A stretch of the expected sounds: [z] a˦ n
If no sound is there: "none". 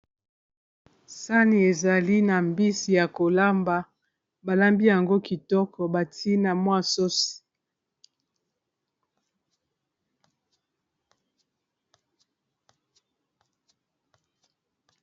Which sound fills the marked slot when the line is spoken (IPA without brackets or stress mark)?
s